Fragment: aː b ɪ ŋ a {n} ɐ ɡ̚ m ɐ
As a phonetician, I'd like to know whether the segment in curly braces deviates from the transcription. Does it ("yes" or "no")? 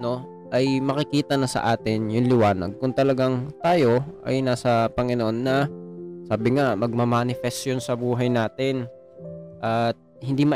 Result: yes